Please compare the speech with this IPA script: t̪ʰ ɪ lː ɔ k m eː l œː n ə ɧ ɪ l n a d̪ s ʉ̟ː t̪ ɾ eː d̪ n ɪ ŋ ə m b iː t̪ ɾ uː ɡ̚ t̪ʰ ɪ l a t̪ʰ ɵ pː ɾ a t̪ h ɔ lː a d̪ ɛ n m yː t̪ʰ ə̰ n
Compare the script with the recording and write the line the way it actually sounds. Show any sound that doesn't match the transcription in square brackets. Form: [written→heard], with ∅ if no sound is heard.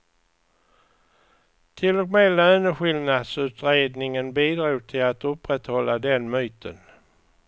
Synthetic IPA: t̪ʰ ɪ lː ɔ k m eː l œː n ə ɧ ɪ l n a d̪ s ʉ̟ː t̪ ɾ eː d̪ n ɪ ŋ ə [m→n] b iː [t̪→d̪] ɾ uː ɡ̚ t̪ʰ ɪ l a [t̪ʰ→t̪] ɵ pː ɾ [a→ɛ] t̪ h ɔ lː a d̪ ɛ n m yː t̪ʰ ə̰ n